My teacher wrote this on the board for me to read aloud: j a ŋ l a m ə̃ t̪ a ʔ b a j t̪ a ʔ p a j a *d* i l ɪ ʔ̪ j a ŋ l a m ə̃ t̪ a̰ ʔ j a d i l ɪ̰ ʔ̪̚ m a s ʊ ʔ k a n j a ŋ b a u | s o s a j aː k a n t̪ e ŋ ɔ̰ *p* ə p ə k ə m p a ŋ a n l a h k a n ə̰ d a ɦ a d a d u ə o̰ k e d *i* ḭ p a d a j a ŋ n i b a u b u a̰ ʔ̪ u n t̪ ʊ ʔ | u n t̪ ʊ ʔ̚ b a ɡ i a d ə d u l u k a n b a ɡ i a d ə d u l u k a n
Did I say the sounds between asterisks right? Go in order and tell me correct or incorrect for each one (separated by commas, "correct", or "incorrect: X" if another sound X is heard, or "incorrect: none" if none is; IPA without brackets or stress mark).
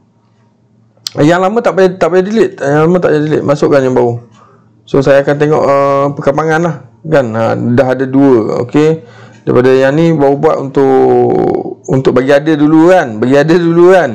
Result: correct, incorrect: ʔ, incorrect: a